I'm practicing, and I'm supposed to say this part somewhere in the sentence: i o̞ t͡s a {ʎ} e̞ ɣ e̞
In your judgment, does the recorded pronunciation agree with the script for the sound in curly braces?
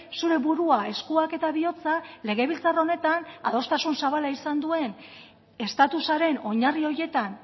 no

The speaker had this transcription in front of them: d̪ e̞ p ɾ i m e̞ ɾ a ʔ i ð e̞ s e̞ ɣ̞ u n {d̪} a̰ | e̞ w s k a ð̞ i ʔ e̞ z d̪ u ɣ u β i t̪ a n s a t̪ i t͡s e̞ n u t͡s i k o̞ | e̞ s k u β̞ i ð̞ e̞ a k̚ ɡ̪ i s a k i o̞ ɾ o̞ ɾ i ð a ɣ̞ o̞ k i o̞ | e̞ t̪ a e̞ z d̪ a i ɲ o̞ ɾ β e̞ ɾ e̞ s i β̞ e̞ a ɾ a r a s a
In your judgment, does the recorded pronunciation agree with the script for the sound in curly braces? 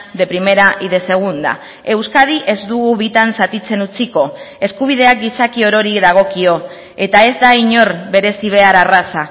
yes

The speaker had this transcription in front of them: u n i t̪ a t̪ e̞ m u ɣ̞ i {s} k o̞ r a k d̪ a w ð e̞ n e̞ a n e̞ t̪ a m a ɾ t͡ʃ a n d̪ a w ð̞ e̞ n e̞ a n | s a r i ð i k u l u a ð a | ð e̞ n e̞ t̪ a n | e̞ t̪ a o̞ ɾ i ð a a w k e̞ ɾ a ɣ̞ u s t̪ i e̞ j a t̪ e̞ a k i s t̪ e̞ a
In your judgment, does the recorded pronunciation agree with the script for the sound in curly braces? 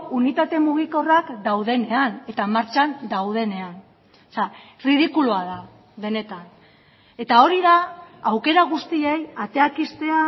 no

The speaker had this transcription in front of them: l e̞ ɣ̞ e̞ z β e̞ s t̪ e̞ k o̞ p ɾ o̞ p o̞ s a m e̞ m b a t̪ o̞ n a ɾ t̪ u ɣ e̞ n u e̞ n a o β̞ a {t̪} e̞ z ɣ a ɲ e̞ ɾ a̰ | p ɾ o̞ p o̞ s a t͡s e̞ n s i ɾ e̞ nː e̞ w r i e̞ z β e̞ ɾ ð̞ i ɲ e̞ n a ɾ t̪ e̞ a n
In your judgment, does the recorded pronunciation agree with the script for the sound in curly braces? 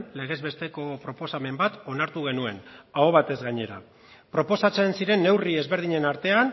yes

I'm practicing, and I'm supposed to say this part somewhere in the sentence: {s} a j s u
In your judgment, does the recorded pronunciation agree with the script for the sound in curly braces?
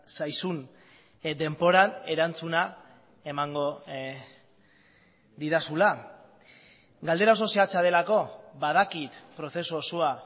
yes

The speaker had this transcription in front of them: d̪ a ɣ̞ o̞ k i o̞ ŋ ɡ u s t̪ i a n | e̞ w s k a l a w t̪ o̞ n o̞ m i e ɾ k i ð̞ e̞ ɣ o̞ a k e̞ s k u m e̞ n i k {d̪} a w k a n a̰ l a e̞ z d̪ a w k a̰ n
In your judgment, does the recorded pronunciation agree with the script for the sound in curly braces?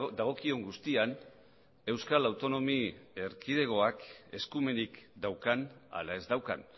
yes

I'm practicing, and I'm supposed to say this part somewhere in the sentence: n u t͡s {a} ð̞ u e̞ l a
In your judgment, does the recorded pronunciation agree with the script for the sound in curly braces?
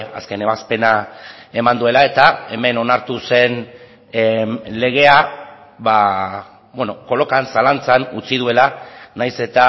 no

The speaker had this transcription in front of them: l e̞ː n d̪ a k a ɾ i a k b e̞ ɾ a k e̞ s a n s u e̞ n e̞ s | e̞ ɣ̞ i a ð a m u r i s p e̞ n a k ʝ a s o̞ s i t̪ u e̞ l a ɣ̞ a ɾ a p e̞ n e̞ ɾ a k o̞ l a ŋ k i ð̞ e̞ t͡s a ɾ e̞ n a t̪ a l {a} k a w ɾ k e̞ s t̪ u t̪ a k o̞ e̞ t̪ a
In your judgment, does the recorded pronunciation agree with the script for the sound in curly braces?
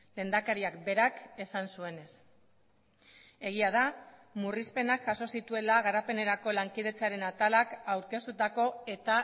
yes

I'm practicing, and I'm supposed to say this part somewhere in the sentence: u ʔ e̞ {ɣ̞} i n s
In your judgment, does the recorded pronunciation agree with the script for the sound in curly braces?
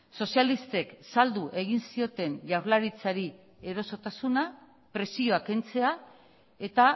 yes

